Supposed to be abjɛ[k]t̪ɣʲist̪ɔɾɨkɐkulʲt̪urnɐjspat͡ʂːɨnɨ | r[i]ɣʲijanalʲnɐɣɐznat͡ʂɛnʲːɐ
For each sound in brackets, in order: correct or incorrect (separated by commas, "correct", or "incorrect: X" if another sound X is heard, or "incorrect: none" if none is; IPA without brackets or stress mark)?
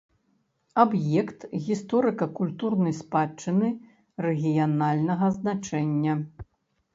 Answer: correct, incorrect: ɛ